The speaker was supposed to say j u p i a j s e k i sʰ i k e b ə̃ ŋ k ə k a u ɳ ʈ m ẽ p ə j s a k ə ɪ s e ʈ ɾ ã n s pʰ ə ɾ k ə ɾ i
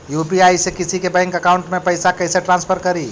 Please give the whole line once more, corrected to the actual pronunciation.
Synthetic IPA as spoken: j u p i a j s e k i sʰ i k e b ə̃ ŋ k ə k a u ɳ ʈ m e p ə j s a k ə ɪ s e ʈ ɾ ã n s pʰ ə ɾ k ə ɾ i